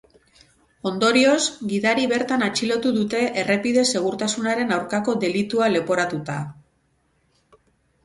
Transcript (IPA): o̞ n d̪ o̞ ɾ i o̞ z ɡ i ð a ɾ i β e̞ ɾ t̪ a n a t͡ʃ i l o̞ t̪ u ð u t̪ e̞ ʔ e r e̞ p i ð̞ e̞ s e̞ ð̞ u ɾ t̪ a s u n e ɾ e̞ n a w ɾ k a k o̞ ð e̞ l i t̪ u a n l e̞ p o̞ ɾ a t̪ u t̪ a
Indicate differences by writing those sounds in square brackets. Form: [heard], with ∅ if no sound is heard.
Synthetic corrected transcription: o̞ n d̪ o̞ ɾ i o̞ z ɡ i ð a ɾ i β e̞ ɾ t̪ a n a t͡ʃ i l o̞ t̪ u ð u t̪ e̞ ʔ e r e̞ p i ð̞ e̞ s e̞ [ɣ̞] u ɾ t̪ a s u n [a] ɾ e̞ n a w ɾ k a k o̞ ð e̞ l i t̪ u a [∅] l e̞ p o̞ ɾ a t̪ u t̪ a